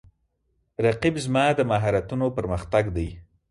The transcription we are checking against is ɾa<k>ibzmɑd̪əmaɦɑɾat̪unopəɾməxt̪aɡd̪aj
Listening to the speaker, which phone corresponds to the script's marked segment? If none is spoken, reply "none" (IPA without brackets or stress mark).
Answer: q